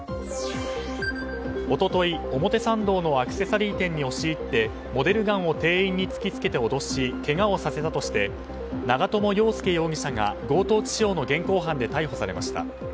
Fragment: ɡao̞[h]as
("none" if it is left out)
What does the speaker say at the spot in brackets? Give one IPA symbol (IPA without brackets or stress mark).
s